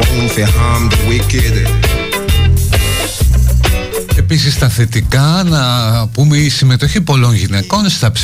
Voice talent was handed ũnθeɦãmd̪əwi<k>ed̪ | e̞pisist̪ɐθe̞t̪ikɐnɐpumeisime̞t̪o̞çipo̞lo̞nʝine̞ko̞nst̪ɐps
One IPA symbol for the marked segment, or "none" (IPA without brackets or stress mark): k